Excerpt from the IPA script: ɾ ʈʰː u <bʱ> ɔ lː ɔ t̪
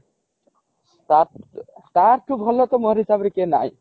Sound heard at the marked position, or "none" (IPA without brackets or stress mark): bʱ